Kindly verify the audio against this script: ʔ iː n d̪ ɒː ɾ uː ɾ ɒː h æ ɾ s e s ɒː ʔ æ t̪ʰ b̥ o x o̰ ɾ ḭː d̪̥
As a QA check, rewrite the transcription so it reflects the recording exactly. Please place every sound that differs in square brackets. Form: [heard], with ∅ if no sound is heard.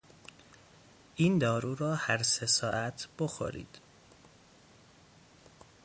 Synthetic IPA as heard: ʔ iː n d̪ ɒː ɾ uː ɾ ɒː h æ ɾ s e s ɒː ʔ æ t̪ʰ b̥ o x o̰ ɾ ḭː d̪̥